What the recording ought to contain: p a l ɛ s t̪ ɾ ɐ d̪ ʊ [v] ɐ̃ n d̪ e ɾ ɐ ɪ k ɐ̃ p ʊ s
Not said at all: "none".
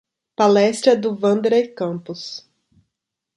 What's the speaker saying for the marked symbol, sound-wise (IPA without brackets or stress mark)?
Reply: v